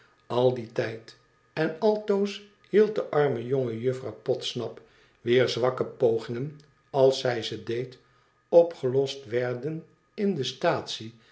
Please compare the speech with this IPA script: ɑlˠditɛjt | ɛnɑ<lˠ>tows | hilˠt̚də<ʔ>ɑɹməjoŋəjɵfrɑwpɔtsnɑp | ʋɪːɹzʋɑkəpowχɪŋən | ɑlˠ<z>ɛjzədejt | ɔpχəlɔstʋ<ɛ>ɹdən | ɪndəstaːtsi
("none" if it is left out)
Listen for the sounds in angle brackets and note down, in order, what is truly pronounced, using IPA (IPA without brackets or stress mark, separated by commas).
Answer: lˠ, ʔ, s, ɛ